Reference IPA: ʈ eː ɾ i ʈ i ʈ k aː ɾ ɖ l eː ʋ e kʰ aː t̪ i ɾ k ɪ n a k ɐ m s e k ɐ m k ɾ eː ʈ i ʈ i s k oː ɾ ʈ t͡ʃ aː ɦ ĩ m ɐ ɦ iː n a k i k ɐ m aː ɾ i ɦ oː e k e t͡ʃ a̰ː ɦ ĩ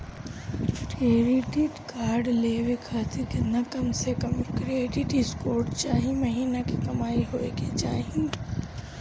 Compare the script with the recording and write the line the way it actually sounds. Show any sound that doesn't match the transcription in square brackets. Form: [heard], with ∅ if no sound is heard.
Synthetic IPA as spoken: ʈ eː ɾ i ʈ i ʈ k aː ɾ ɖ l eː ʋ e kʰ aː t̪ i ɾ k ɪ n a k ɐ m s e k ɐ m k ɾ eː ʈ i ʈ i s k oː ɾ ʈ t͡ʃ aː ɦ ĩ m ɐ ɦ iː n a k i k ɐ m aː [∅] i ɦ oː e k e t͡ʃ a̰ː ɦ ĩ